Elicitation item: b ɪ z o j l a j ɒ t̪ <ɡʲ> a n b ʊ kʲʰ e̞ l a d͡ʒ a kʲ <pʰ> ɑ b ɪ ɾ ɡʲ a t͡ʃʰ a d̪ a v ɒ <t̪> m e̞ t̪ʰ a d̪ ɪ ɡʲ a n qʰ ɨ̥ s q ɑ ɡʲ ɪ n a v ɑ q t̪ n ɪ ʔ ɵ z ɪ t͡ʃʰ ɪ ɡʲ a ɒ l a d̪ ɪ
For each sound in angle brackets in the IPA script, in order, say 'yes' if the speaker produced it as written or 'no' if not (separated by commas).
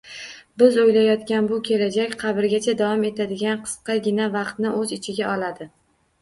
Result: no, no, no